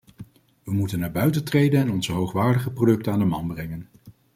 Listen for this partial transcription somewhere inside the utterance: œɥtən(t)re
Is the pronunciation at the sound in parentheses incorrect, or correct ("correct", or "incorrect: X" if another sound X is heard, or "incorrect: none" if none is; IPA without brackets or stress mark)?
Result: correct